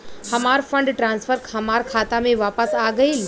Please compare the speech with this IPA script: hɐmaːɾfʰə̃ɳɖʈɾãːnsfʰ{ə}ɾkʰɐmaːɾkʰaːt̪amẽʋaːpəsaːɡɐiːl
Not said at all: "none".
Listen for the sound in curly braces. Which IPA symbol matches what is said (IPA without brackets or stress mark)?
ə